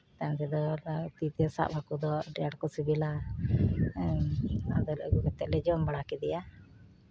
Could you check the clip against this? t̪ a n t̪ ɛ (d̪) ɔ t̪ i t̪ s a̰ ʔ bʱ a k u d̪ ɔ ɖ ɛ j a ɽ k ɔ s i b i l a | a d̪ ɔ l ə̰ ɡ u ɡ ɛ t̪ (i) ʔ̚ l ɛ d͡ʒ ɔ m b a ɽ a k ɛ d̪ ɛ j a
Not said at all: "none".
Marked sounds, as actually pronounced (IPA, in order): d̪, ɛ

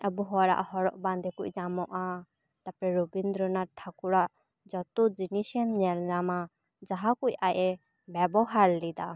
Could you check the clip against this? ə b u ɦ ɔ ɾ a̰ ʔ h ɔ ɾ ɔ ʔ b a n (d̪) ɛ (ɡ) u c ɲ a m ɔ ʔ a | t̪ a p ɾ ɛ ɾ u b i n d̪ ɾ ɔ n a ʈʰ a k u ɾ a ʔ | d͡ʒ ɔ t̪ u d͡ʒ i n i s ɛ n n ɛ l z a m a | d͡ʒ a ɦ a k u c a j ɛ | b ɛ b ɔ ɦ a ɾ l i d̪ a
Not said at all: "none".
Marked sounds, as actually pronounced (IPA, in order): d̪, k

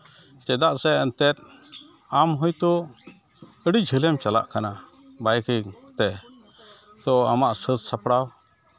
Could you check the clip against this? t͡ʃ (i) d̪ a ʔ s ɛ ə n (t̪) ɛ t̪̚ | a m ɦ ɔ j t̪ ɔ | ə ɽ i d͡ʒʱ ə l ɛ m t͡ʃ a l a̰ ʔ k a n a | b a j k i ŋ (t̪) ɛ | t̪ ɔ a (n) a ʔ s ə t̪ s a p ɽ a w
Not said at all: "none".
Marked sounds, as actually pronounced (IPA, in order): ɛ, t̪, t̪, m

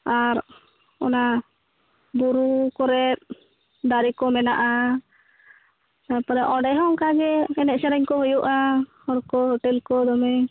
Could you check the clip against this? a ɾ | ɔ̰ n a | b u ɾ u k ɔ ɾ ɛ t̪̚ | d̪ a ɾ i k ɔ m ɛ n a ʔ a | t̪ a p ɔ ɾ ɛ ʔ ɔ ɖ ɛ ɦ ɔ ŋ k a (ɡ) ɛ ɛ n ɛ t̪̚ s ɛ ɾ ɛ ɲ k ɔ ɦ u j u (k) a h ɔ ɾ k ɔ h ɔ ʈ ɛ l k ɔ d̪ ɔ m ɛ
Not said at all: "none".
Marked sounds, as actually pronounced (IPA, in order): ɡ, ʔ

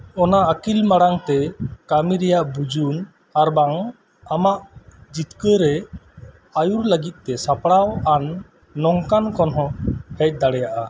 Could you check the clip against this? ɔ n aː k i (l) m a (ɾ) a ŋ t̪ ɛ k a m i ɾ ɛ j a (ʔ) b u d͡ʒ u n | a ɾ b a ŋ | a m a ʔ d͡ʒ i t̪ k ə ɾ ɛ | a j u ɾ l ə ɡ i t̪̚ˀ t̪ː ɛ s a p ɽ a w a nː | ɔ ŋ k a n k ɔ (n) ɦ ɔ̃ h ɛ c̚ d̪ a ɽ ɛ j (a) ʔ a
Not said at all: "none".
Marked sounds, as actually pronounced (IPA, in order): l, ɽ, ʔ, n, a

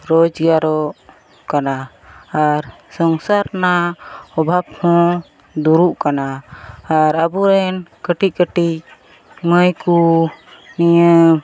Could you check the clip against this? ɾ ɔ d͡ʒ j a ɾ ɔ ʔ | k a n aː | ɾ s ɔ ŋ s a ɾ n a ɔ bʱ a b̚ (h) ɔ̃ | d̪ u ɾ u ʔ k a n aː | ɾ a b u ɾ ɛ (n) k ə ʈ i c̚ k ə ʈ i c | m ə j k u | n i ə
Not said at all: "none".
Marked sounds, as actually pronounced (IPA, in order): h, n

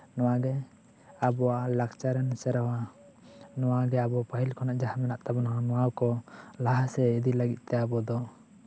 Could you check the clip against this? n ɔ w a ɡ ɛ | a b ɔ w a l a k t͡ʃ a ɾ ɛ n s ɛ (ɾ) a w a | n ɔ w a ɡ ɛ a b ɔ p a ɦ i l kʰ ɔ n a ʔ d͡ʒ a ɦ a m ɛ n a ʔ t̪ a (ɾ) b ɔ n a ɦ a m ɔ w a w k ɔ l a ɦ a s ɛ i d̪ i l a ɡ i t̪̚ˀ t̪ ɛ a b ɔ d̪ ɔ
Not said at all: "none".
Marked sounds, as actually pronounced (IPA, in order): ɾ, none

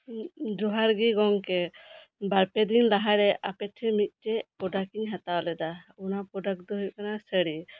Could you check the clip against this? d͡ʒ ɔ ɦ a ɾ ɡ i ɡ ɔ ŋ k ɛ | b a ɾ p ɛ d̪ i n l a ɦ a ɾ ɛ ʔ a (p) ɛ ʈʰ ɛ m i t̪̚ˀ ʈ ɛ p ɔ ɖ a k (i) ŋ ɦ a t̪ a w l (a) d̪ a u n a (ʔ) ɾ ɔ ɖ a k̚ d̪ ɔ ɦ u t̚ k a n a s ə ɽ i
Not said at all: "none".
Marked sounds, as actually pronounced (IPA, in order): p, i, ɛ, p

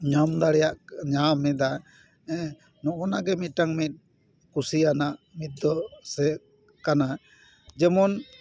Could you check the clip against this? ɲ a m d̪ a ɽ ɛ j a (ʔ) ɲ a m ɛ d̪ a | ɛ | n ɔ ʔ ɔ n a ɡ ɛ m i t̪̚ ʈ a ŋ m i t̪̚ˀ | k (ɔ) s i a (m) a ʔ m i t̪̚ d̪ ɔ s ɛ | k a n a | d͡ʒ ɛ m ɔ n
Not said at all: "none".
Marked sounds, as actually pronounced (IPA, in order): ʔ, u, n

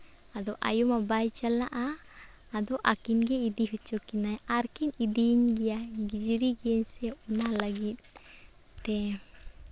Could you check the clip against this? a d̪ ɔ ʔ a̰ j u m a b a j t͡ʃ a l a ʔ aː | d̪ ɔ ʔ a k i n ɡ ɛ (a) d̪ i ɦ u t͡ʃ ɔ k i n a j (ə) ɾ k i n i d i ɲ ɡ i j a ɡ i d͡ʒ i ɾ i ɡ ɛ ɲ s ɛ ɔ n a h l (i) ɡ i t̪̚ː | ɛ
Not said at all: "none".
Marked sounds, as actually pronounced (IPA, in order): i, a, a

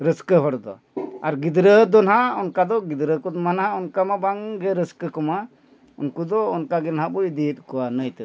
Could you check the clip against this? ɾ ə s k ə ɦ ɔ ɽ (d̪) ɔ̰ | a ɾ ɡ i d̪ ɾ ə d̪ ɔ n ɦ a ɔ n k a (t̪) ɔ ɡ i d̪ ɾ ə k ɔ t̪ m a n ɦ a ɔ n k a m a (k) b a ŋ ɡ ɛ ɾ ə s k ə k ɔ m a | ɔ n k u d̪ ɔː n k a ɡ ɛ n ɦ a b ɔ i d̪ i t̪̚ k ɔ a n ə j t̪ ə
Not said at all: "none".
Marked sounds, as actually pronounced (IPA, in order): d̪, d̪, none

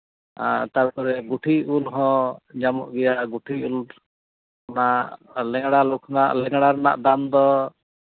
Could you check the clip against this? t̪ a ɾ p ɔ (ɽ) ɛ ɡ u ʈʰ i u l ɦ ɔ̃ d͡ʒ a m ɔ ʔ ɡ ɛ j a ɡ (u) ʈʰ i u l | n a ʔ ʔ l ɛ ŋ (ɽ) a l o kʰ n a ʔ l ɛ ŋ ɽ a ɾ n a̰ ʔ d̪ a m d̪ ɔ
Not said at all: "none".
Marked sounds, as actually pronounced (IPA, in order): ɾ, u, ɽ

